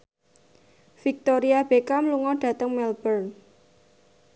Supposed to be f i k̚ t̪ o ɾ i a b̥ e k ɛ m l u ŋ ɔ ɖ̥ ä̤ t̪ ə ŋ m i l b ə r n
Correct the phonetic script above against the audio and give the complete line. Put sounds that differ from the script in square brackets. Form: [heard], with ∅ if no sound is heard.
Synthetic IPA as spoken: f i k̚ t̪ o ɾ i a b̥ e k [a] m l u ŋ ɔ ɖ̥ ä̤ t̪ ə ŋ m [ɛ] l b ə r n